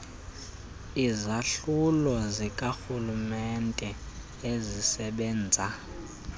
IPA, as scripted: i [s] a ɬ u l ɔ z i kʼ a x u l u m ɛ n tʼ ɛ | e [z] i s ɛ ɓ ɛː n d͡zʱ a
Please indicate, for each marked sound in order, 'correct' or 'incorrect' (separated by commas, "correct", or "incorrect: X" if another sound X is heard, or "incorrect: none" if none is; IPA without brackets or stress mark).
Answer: incorrect: z, correct